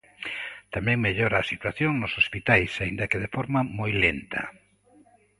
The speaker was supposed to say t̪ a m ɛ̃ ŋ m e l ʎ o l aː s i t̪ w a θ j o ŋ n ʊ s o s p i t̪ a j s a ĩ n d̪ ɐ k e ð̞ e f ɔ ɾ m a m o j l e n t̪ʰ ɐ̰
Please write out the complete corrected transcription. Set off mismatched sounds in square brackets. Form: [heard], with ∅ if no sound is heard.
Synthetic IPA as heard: t̪ a m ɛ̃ ŋ m e [∅] ʎ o [ɾ] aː s i t̪ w a θ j o ŋ n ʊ s o s p i t̪ a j s a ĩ n d̪ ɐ k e ð̞ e f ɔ ɾ m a m o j l e n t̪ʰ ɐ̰